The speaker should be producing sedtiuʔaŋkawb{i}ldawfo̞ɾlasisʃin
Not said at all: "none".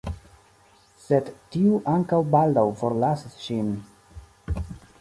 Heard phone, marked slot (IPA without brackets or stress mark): a